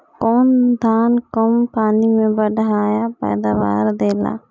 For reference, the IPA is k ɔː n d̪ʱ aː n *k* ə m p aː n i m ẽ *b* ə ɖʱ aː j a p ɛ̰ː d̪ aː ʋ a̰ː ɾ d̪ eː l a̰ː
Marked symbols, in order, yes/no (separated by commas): yes, yes